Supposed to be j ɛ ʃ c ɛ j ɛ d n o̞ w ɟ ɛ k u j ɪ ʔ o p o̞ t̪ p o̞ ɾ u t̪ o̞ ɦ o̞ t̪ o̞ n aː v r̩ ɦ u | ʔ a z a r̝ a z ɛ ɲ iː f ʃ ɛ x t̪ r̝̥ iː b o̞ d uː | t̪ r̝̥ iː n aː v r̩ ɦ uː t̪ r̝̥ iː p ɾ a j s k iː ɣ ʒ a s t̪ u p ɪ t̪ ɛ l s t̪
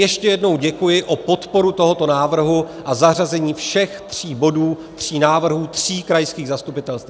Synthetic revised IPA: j ɛ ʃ c ɛ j ɛ d n o̞ w ɟ ɛ k u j ɪ ʔ o p o̞ t̪ p o̞ ɾ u t̪ o̞ ɦ o̞ t̪ o̞ n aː v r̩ ɦ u | ʔ a z a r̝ a z ɛ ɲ iː f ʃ ɛ x t̪ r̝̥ iː b o̞ d uː | t̪ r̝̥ iː n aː v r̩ ɦ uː t̪ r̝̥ iː k ɾ a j s k iː ɣ z a s t̪ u p ɪ t̪ ɛ l s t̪